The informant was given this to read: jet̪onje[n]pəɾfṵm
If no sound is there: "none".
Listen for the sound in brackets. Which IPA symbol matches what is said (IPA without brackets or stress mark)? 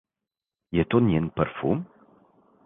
n